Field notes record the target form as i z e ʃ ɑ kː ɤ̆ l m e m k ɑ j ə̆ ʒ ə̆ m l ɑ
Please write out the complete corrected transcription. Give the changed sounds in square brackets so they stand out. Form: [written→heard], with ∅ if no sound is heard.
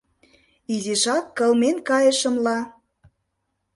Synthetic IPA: i z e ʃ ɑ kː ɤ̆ l m e [m→n] k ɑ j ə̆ [ʒ→ʃ] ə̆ m l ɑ

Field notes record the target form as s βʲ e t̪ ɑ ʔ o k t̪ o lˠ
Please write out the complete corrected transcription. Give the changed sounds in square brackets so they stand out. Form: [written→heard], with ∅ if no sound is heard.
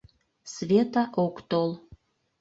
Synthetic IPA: s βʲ e t̪ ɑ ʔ o k t̪ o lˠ

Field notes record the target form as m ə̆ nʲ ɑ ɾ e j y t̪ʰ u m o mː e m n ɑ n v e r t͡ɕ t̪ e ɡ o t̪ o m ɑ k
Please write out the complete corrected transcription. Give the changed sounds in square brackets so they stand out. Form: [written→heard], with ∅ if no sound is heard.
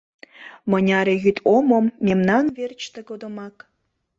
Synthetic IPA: m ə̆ nʲ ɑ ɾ e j y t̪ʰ [u→o] m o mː e m n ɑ n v e r t͡ɕ t̪ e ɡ o [t̪→d̪] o m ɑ k

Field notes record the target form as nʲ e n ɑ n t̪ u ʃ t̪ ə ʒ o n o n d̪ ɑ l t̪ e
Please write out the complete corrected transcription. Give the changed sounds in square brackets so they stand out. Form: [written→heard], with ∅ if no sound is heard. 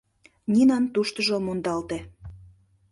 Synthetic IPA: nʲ [e→i] n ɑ n t̪ u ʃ t̪ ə ʒ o [n→m] o n d̪ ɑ l t̪ e

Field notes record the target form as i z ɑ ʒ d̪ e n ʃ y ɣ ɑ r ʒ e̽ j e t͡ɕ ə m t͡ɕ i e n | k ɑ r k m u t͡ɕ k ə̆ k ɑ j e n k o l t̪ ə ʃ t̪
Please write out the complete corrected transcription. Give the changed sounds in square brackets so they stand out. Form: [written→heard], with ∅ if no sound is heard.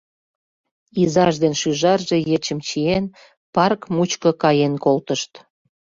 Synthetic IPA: i z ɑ ʒ d̪ e n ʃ y [ɣ→ʒ] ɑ r ʒ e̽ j e t͡ɕ ə m t͡ɕ i e n | [k→p] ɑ r k m u t͡ɕ k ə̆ k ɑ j e n k o l t̪ ə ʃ t̪

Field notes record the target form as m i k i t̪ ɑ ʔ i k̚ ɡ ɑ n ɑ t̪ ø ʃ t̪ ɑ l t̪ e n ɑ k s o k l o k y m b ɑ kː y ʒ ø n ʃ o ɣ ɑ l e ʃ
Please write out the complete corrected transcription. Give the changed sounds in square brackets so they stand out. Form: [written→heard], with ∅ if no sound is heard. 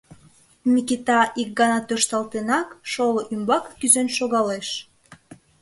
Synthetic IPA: m i k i t̪ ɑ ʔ i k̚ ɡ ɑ n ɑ t̪ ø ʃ t̪ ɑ l t̪ e n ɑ k [s→ʃ] o [k→∅] l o [k→ʔ] y m b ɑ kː y [ʒ→z] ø n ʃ o ɣ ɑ l e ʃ

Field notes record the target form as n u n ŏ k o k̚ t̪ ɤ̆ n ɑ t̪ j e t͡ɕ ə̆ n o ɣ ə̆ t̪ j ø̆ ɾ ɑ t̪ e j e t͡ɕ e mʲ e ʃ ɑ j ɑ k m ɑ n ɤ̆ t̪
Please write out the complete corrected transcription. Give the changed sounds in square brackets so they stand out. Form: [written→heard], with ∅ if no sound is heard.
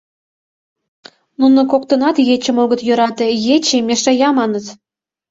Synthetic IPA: n u n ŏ k o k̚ t̪ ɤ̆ n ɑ t̪ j e t͡ɕ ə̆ [n→m] o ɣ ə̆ t̪ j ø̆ ɾ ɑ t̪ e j e t͡ɕ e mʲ e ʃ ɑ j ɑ [k→∅] m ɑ n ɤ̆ t̪

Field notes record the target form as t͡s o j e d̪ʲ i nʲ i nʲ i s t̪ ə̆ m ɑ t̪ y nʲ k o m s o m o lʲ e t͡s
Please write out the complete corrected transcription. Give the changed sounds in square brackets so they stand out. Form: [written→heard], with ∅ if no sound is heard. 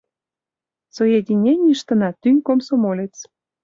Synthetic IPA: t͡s o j e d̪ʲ i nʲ [i→e] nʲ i [s→ʃ] t̪ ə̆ [m→n] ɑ t̪ y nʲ k o m s o m o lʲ e t͡s

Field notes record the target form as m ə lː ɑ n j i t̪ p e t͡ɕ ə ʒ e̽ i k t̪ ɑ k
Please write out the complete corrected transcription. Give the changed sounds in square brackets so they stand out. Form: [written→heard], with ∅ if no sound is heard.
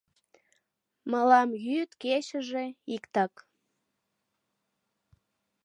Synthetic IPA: m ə [lː→l] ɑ [n→m] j [i→y] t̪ [p→k] e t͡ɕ ə ʒ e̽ i k t̪ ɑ k

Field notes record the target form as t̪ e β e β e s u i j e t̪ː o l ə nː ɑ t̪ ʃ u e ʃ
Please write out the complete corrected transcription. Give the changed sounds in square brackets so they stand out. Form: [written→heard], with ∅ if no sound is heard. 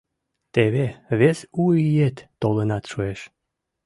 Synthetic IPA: t̪ e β e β e s u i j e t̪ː o l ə [nː→n] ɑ t̪ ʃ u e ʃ

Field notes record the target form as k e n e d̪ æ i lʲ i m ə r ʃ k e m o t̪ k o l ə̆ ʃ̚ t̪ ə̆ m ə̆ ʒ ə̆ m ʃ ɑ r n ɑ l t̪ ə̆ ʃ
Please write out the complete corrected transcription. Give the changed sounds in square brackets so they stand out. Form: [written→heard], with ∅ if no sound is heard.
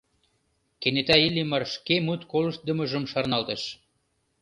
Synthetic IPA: k e n e [d̪→t̪] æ i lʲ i m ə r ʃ k e m [o→u] t̪ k o l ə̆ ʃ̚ [t̪→d̪] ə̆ m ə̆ ʒ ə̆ m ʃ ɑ r n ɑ l t̪ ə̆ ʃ

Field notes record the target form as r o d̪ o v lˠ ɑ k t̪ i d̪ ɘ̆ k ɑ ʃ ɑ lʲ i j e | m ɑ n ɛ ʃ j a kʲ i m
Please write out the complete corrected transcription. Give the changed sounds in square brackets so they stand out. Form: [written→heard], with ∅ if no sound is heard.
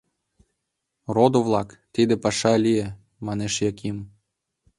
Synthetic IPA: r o d̪ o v lˠ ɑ k t̪ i d̪ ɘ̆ [k→p] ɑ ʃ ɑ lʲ i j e | m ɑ n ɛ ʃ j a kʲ i m

